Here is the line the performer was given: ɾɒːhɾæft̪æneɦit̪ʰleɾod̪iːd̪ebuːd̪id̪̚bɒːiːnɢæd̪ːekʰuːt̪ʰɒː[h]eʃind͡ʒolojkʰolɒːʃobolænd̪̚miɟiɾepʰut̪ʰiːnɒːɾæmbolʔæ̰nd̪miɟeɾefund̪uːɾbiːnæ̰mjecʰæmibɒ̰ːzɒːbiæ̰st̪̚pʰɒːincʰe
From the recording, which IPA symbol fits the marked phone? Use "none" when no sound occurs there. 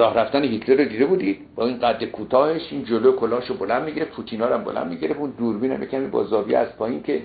h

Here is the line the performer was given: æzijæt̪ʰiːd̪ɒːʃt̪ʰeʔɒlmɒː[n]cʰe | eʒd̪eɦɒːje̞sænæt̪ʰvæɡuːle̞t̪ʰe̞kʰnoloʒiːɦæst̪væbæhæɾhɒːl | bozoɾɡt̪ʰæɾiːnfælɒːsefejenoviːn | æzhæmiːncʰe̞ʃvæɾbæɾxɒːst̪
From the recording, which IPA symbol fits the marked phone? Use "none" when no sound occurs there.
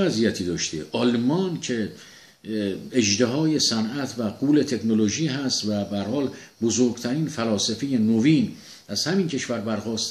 n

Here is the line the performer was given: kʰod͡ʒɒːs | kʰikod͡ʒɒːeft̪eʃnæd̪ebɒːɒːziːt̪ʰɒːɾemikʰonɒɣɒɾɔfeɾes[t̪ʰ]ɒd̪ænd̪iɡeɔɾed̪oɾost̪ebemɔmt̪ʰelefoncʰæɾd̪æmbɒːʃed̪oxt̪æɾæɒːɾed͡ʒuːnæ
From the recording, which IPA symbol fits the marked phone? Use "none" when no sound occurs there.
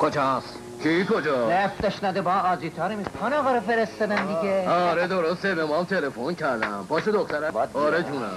t̪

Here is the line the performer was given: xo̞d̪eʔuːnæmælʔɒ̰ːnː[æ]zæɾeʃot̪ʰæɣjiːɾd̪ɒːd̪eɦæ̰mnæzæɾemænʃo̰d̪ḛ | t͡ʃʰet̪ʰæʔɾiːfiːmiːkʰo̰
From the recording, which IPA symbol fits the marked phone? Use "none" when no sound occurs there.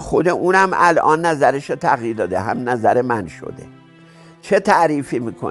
æ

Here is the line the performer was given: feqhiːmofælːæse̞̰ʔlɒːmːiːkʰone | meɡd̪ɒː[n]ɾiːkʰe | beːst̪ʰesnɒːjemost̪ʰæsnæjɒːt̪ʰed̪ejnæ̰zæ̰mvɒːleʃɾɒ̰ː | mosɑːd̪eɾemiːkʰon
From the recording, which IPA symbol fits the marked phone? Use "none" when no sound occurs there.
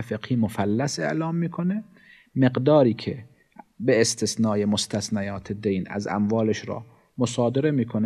none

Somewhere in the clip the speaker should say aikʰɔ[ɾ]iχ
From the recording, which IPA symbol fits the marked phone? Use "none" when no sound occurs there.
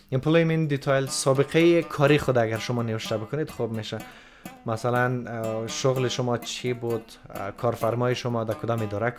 ɾ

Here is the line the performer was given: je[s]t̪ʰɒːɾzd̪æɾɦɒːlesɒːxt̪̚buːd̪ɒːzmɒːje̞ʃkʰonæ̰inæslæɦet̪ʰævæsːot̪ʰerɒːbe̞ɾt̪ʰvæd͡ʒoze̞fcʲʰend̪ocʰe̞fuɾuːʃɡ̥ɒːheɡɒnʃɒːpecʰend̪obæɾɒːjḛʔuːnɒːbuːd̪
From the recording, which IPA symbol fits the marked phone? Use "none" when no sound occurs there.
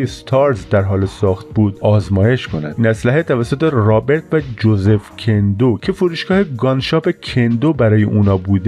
s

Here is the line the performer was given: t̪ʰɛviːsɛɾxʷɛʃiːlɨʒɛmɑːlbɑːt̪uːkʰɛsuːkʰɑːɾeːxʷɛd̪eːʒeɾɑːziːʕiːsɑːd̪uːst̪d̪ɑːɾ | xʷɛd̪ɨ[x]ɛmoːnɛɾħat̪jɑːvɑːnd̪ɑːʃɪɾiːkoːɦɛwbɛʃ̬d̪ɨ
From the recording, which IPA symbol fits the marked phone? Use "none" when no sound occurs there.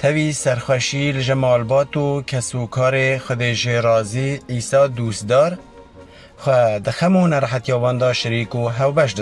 x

